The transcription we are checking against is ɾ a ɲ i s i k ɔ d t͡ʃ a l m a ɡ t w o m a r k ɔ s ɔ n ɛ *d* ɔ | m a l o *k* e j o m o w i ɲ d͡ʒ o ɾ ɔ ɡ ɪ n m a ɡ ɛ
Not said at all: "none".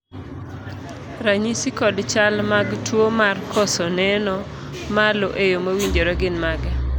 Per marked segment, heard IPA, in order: n, ʔ

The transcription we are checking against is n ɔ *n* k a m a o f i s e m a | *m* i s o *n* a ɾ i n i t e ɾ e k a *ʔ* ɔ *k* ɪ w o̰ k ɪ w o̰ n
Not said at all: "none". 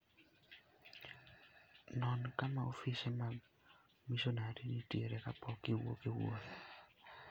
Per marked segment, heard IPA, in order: n, m, n, p, k

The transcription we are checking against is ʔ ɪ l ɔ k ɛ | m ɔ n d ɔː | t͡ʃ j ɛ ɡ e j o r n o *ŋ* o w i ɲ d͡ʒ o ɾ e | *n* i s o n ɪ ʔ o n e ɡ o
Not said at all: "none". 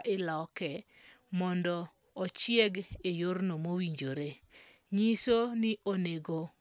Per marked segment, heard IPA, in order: m, ɲ

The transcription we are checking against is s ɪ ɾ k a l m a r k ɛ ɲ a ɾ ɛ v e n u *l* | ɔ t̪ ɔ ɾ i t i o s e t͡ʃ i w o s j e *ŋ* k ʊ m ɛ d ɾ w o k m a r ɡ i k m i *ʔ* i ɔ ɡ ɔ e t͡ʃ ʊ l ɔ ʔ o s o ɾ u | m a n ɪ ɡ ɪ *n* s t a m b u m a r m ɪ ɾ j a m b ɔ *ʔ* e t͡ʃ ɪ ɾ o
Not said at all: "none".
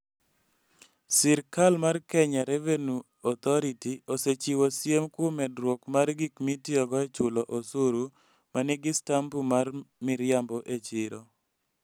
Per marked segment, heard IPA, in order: none, m, t, none, ʔ

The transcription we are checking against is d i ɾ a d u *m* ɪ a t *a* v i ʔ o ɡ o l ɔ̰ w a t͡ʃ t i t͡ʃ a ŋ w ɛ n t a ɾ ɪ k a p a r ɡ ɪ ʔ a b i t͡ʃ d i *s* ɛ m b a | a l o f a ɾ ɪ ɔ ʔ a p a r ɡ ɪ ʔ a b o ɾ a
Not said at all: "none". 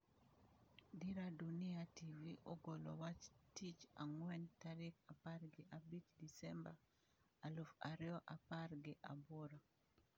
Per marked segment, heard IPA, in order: n, i, s

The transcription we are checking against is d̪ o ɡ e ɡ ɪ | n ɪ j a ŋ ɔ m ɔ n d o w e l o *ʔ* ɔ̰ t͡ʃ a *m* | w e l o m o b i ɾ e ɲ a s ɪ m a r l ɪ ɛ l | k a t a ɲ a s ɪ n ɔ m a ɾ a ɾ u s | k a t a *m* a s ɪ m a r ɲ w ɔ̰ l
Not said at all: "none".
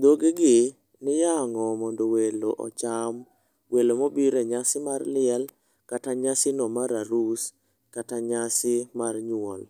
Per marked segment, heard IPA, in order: ʔ, m, ɲ

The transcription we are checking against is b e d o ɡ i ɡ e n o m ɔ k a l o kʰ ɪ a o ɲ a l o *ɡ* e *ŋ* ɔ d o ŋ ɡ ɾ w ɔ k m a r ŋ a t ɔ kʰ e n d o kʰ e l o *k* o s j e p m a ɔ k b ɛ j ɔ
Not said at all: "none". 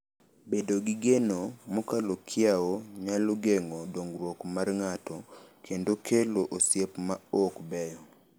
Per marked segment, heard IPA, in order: ɡ, ŋ, ʔ

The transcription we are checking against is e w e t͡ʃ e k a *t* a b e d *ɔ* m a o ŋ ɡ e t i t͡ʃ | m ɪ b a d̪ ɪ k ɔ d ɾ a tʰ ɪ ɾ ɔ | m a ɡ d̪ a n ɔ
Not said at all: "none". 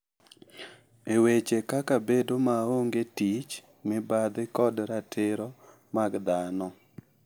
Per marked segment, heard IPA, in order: k, o

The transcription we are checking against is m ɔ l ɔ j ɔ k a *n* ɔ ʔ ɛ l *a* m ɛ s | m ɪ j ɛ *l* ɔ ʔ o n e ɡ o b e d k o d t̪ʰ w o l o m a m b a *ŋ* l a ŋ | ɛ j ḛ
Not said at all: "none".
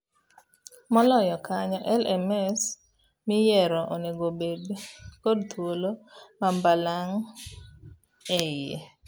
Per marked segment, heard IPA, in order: ɲ, ɛ, ɾ, none

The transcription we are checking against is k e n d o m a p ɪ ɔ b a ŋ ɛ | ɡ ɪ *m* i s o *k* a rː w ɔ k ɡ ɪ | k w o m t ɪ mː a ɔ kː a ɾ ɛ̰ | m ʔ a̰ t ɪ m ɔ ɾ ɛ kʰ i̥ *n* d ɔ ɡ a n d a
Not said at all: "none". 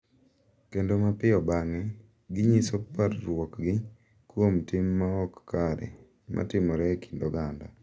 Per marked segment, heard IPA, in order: ɲ, p, n

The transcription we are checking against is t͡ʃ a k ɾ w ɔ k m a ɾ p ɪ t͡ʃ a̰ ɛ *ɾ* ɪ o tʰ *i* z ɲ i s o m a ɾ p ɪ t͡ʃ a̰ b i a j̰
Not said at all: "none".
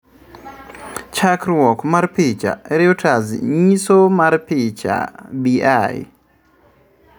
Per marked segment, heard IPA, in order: ɾ, a

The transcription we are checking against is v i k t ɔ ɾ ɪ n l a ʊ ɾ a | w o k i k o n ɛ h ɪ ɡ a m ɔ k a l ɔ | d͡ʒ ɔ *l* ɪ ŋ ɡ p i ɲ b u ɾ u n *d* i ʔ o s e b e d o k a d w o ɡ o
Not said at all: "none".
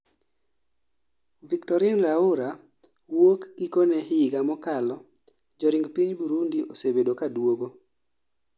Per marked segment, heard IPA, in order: ɾ, d

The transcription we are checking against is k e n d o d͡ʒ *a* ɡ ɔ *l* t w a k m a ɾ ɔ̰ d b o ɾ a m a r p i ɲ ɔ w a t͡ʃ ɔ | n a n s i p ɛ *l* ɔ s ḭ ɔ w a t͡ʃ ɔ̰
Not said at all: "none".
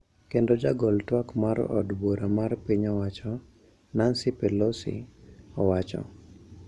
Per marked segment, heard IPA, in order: a, l, l

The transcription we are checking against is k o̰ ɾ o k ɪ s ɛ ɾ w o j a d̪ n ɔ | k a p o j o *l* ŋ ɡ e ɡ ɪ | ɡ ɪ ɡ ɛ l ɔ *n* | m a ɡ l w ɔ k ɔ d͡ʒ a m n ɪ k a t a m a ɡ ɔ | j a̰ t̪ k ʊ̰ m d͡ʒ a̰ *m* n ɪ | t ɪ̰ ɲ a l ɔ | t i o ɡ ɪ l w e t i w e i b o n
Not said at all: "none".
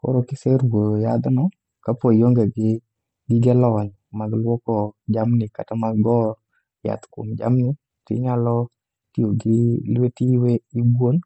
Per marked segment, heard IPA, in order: none, ɲ, m

